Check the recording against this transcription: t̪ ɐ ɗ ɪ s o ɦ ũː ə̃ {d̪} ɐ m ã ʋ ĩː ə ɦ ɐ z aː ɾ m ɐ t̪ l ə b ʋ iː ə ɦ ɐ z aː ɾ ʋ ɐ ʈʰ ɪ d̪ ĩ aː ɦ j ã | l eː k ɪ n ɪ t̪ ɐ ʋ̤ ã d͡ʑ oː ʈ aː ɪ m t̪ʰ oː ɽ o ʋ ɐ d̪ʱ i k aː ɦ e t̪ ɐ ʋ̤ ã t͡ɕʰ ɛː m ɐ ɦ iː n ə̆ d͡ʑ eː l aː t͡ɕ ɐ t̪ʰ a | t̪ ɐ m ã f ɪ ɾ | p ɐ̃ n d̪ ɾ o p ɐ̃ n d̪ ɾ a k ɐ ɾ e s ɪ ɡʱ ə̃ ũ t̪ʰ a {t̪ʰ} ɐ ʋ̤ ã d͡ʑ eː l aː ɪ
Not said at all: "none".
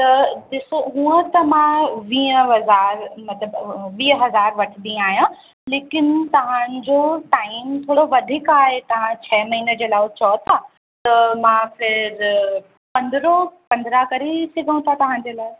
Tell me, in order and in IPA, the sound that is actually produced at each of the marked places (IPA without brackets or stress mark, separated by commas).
t̪, t̪